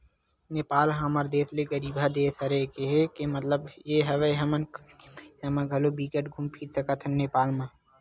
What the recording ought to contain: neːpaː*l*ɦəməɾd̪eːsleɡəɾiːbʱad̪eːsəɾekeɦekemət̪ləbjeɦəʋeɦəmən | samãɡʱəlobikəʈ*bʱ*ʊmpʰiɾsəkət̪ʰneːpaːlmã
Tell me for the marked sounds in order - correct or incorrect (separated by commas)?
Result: correct, incorrect